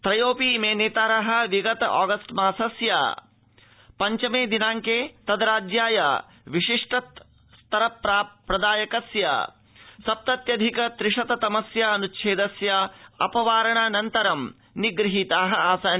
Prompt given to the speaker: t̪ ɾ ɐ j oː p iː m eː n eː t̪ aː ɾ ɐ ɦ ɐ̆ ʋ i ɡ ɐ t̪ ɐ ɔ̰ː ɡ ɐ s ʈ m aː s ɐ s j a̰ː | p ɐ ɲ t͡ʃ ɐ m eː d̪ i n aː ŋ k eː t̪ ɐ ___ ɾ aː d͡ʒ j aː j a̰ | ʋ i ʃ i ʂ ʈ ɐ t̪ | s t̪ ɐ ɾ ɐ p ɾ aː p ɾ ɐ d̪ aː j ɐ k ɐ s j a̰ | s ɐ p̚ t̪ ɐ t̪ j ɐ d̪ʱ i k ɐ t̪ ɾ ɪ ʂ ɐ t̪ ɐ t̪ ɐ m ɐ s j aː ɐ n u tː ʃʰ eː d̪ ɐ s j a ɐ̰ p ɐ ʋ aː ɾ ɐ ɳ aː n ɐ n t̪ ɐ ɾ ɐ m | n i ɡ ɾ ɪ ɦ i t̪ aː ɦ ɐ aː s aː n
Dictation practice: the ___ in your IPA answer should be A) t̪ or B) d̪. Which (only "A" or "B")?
B